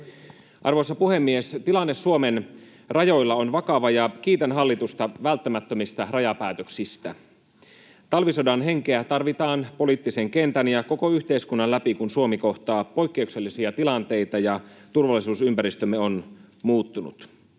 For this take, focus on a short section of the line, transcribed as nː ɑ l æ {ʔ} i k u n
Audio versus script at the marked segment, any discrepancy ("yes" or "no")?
yes